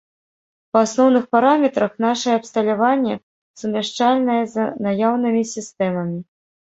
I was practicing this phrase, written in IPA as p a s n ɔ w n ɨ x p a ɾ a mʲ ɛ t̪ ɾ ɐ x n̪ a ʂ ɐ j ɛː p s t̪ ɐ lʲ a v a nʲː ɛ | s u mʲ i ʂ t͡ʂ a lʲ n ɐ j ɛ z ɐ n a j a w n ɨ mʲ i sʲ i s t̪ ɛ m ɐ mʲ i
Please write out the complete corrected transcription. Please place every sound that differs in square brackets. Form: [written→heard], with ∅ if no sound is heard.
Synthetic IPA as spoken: p a s n ɔ w n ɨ x p a ɾ a mʲ ɛ t̪ ɾ ɐ x n̪ a ʂ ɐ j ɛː p s t̪ ɐ lʲ a v a nʲː ɛ | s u mʲ [i→a] ʂ t͡ʂ a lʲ n ɐ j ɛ z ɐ n a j a w n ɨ mʲ i sʲ i s t̪ ɛ m ɐ mʲ i